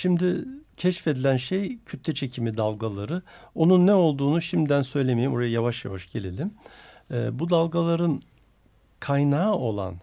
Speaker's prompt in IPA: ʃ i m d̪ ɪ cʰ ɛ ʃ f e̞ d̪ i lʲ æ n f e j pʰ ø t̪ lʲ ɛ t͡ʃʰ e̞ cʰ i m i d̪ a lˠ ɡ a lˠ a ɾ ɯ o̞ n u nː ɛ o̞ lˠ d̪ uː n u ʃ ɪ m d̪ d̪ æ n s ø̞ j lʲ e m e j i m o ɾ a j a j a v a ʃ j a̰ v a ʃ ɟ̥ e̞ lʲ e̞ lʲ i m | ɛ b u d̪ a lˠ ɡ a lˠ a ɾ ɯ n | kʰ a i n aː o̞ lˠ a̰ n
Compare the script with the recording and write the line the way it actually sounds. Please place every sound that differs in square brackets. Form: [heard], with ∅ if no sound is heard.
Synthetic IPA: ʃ i m d̪ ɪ cʰ ɛ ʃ f e̞ d̪ i lʲ æ n [ʃ] e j [cʰ] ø t̪ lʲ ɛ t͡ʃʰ e̞ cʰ i m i d̪ a lˠ ɡ a lˠ a ɾ ɯ o̞ n u nː ɛ o̞ lˠ d̪ uː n u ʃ [i] m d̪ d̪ æ n s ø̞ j lʲ e m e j i m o ɾ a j a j a v a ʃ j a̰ v a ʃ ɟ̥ e̞ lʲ e̞ lʲ i m | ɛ b u d̪ a lˠ ɡ a lˠ a ɾ ɯ n | kʰ a [j] n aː o̞ lˠ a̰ n